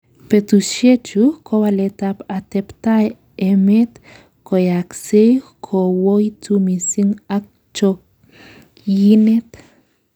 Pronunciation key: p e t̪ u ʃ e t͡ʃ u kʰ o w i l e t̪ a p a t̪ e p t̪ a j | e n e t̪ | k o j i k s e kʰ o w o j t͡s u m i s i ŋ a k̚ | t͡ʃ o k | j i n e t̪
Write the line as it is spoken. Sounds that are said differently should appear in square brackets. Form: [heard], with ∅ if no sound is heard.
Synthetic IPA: p e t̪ u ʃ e t͡ʃ u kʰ o w [a] l e t̪ a p a t̪ e p t̪ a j | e [m] e t̪ | k o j [a] k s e kʰ o w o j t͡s u m i s i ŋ a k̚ | t͡ʃ o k | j i n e t̪